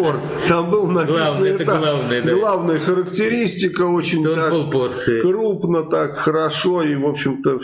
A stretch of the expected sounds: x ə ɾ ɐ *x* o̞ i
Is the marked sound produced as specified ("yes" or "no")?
no